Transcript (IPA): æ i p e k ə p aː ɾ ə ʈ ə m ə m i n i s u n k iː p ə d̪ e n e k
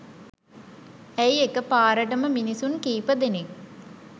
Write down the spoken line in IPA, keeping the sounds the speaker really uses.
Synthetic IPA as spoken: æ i e k ə p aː ɾ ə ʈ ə m ə m i n i s u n k iː p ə d̪ e n e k